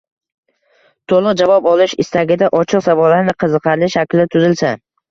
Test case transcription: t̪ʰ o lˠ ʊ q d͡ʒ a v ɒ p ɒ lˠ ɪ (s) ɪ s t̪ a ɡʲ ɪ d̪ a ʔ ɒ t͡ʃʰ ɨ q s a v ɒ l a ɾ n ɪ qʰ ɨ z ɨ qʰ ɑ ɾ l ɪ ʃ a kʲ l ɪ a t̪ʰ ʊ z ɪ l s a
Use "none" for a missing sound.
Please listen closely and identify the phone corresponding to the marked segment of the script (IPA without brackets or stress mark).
ʃ